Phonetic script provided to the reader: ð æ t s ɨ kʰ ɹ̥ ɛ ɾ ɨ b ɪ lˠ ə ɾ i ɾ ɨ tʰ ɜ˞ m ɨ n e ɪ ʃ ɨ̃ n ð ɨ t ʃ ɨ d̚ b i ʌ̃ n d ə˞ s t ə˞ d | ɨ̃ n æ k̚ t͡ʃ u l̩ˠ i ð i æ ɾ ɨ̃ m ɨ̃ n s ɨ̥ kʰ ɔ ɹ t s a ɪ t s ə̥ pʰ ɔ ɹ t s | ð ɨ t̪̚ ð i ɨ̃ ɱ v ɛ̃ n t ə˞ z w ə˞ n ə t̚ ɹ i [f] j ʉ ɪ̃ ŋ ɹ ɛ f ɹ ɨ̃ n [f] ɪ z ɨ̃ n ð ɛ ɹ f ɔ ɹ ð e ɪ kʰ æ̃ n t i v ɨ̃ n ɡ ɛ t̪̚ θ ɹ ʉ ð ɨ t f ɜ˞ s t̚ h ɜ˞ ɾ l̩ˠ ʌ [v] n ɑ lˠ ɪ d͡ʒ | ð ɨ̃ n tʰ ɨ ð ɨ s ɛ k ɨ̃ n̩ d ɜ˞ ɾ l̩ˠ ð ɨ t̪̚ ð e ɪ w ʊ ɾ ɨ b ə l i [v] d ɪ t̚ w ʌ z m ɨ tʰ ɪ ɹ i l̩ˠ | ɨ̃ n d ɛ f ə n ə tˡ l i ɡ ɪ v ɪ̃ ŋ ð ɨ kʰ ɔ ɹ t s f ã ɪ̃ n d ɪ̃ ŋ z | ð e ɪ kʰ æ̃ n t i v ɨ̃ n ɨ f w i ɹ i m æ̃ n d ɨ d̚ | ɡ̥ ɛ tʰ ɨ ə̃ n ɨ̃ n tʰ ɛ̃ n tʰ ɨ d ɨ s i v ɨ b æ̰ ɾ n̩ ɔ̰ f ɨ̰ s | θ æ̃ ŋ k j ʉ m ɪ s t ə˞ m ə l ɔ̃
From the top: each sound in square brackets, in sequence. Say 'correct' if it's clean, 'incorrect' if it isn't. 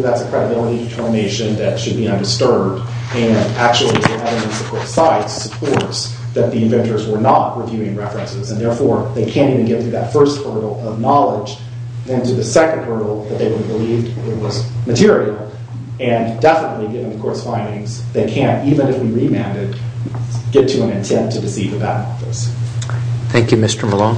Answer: incorrect: v, incorrect: s, correct, correct

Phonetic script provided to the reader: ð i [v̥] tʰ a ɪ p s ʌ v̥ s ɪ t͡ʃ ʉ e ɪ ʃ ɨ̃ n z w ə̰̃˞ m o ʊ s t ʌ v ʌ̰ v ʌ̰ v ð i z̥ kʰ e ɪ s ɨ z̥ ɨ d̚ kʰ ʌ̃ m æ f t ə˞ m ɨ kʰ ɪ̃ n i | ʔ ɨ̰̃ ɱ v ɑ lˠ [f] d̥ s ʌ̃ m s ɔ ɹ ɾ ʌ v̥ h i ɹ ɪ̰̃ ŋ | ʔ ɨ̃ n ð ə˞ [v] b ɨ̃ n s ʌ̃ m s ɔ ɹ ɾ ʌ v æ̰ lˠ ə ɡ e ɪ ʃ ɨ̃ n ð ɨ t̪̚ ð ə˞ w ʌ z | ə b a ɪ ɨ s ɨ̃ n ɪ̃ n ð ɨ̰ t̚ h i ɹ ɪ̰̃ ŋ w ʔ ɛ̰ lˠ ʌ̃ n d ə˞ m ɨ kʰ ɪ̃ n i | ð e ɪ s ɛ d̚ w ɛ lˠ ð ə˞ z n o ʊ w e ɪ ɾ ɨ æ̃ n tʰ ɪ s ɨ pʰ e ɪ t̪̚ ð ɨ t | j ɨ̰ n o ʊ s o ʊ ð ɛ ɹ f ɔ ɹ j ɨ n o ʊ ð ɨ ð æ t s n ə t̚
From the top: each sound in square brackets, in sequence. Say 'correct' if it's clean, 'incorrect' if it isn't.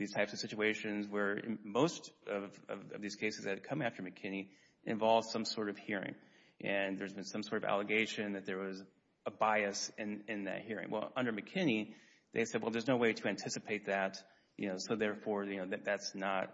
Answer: incorrect: z̥, incorrect: v, incorrect: z

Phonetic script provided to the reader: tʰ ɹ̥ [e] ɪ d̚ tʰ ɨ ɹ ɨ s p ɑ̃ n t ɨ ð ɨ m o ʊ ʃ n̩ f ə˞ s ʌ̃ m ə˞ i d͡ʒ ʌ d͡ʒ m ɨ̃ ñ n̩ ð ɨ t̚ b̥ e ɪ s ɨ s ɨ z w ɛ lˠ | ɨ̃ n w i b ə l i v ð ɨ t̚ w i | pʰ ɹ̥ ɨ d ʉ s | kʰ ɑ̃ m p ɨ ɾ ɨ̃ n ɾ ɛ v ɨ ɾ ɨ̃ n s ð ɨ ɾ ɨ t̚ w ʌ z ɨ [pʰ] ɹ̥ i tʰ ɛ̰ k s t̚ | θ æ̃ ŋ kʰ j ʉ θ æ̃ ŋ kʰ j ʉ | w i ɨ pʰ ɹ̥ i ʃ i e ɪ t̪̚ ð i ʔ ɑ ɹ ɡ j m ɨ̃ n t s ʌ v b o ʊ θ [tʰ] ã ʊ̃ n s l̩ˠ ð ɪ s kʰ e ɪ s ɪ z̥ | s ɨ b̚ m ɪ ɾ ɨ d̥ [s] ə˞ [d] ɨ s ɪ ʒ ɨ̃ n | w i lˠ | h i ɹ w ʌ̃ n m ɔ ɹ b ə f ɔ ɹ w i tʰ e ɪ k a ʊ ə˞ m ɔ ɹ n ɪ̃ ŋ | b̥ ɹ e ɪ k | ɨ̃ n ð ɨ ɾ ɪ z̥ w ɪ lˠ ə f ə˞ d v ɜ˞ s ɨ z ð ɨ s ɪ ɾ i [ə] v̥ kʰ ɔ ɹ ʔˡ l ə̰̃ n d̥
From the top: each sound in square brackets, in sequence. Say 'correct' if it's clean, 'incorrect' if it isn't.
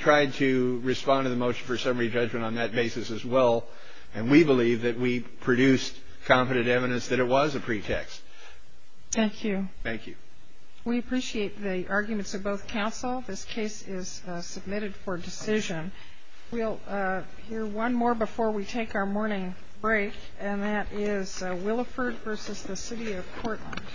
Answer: incorrect: a, correct, incorrect: kʰ, incorrect: f, correct, incorrect: ʌ

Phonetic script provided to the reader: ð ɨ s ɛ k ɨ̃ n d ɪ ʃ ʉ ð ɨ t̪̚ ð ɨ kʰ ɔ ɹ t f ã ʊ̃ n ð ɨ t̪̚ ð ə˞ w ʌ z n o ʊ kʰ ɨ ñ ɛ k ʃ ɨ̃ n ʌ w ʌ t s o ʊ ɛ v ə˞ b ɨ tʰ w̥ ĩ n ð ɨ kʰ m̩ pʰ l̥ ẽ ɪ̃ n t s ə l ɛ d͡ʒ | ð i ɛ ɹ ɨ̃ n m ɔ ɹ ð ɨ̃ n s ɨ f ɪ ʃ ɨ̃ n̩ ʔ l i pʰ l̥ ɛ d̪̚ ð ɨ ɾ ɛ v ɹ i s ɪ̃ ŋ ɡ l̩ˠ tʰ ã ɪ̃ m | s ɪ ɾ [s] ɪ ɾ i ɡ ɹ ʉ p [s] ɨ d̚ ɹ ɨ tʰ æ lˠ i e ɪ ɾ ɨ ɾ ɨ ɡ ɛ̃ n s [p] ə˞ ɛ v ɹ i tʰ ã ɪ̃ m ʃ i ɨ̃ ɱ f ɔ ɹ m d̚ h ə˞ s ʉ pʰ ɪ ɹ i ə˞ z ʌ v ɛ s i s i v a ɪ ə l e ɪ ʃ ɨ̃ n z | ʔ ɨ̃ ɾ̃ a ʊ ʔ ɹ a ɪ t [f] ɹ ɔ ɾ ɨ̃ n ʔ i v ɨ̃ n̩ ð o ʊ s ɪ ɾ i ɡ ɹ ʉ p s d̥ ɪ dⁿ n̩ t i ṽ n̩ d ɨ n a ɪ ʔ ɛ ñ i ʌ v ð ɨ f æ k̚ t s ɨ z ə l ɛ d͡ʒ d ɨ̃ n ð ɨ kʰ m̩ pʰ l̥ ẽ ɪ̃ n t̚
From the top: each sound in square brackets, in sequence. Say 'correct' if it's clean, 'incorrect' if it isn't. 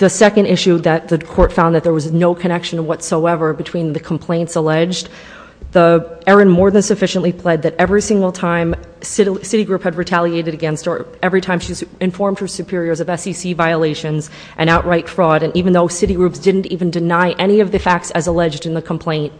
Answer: correct, incorrect: h, incorrect: t, correct

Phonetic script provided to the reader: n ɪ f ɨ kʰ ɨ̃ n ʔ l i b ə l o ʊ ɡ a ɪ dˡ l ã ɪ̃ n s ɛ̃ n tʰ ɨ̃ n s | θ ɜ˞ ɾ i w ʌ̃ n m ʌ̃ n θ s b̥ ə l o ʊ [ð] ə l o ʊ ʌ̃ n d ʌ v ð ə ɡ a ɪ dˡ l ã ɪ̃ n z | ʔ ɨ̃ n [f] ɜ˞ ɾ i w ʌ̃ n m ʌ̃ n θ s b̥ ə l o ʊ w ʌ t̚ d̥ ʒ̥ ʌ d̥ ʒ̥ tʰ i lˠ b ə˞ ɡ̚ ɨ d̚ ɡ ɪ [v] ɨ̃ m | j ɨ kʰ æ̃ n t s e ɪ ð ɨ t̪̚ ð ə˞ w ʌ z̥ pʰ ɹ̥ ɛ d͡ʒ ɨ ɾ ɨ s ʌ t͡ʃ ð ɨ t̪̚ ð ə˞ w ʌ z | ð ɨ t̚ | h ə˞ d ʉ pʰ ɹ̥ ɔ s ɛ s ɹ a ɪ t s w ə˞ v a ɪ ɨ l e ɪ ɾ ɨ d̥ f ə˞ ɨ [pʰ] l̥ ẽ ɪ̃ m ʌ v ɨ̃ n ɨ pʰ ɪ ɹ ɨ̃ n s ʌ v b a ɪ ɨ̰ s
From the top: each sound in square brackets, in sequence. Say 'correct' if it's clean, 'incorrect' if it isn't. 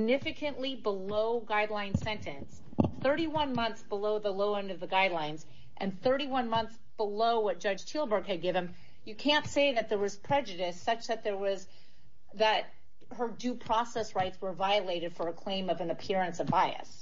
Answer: correct, incorrect: θ, correct, incorrect: kʰ

